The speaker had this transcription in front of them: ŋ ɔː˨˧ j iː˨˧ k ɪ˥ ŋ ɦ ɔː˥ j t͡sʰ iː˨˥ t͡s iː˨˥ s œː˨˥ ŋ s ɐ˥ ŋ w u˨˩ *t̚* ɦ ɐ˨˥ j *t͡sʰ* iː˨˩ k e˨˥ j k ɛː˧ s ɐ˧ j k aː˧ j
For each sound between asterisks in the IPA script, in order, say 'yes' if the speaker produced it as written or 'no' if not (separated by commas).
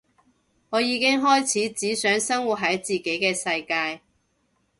yes, no